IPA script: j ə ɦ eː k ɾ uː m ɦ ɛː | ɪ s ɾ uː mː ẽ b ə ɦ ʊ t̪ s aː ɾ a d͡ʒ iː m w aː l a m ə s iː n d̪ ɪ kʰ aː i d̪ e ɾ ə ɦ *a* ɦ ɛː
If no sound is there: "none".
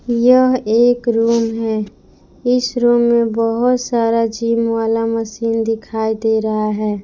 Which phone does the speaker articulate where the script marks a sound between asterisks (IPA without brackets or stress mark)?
a